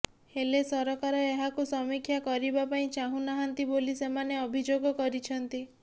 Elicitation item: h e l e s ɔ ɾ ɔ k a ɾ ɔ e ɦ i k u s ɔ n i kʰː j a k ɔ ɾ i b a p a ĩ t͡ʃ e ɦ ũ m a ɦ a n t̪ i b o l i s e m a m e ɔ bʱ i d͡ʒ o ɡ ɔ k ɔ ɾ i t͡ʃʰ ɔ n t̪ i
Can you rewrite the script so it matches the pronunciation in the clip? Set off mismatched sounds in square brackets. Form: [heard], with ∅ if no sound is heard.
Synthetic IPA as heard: h e l e s ɔ ɾ ɔ k a ɾ ɔ e ɦ [a] k u s ɔ [m] i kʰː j a k ɔ ɾ i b a p a ĩ t͡ʃ [a] ɦ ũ [n] a ɦ a n t̪ i b o l i s e m a [n] e ɔ bʱ i d͡ʒ o ɡ ɔ k ɔ ɾ i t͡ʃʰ ɔ n t̪ i